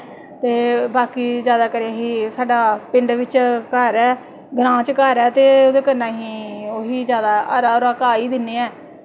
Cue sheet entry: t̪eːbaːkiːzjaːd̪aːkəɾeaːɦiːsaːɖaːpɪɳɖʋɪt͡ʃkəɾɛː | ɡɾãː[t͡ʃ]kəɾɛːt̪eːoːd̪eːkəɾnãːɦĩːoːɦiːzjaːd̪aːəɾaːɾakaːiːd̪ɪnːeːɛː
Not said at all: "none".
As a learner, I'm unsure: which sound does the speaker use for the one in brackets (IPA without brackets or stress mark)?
t͡ʃ